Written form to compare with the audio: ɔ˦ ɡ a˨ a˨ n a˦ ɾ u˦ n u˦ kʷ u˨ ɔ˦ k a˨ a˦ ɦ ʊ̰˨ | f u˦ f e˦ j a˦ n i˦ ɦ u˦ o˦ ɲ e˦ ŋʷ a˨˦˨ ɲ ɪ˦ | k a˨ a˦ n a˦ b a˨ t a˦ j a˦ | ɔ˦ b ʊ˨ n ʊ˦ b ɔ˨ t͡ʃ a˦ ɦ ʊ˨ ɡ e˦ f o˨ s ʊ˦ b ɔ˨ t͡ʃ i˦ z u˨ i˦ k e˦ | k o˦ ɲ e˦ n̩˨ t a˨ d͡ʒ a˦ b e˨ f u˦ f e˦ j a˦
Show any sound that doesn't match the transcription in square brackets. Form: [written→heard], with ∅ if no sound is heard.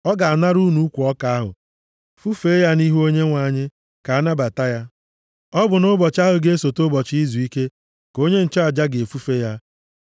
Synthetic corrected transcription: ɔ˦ ɡ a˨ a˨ n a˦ ɾ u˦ n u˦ kʷ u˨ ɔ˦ k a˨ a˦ ɦ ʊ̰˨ | f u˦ f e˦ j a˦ n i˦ ɦ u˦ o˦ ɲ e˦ ŋʷ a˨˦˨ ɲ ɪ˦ | k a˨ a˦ n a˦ b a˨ t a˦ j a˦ | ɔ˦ b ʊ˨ n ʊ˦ b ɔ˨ t͡ʃ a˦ ɦ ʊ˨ ɡ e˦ [f→s] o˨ [s→t] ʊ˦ b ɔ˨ t͡ʃ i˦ z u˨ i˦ k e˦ | k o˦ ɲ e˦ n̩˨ [t→t͡ʃ] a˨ d͡ʒ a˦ [b→ɡ] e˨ f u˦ f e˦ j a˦

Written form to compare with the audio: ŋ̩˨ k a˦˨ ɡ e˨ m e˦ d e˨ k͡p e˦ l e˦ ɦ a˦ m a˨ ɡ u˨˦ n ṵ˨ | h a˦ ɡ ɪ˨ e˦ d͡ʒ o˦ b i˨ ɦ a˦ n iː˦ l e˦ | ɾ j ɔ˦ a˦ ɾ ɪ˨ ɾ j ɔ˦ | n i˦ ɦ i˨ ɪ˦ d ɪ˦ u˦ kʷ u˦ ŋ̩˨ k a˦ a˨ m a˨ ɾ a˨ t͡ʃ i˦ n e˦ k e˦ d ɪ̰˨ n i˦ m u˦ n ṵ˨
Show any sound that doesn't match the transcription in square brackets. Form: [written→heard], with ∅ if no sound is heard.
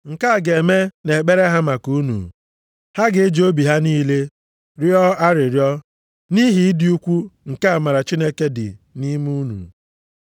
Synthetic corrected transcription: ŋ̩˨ k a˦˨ ɡ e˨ m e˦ [d→n] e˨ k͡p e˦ [l→ɾ] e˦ ɦ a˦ m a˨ [ɡ→k] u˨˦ n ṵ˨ | h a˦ ɡ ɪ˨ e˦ d͡ʒ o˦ b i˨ ɦ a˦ n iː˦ l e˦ | ɾ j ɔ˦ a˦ ɾ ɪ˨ ɾ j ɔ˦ | n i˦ ɦ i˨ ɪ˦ d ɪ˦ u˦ kʷ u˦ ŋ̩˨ k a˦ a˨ m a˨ ɾ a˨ t͡ʃ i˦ n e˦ k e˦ d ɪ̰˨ n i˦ m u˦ n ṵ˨

